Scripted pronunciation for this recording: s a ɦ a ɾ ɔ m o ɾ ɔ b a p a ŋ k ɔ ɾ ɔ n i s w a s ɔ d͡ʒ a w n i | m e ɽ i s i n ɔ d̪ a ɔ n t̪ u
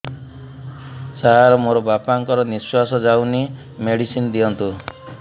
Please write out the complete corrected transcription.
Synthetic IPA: s a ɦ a ɾ ɔ m o ɾ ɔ b a p a ŋ k ɔ ɾ ɔ n i s w a s ɔ d͡ʒ a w n i | m e ɽ i s i n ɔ d̪ i ɔ n t̪ u